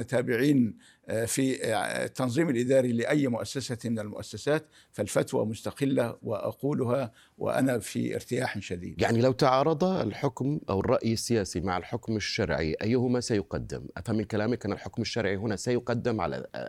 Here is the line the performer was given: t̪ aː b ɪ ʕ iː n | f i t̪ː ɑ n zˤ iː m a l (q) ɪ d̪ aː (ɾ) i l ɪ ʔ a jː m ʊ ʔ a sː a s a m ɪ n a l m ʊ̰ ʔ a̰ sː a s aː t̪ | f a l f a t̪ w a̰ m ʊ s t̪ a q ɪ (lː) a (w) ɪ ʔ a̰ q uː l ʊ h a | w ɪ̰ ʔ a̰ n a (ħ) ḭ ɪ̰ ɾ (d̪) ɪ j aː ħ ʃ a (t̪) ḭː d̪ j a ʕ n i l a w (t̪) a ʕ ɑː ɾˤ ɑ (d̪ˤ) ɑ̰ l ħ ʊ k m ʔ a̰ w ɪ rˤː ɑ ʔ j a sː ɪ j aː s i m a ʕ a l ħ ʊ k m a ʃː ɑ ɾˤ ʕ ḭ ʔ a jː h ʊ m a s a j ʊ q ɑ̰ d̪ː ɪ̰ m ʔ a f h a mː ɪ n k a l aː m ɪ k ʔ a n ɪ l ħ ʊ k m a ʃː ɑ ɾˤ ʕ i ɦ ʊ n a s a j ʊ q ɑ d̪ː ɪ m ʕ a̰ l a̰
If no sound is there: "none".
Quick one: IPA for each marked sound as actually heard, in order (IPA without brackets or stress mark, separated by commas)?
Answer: ʔ, ɾ, lː, w, f, t̪, d̪, t̪, d̪ˤ